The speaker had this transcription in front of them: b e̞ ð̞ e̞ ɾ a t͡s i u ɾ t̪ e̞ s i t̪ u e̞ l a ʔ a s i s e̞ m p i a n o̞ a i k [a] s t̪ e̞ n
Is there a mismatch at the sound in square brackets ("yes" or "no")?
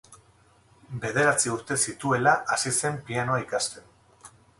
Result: no